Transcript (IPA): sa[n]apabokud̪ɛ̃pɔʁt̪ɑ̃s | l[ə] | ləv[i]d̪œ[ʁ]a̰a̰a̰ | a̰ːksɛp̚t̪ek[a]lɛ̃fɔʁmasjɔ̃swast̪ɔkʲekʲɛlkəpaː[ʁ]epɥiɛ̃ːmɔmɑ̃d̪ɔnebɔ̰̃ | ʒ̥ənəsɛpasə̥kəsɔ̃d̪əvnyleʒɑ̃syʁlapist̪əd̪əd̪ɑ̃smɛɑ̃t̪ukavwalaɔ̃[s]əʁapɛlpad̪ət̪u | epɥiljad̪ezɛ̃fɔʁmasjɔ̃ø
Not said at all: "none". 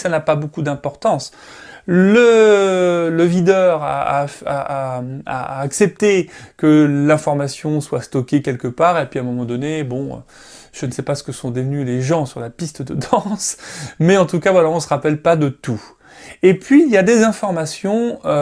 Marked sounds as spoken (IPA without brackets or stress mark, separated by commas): n, ə, i, ʁ, ə, ʁ, s